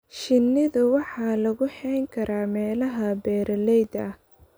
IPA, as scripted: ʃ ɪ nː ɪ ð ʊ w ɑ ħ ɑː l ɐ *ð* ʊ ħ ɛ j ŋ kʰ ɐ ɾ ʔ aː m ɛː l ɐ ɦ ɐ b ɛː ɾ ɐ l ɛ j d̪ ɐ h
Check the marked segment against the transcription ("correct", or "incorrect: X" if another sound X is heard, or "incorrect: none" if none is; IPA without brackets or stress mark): incorrect: ɣ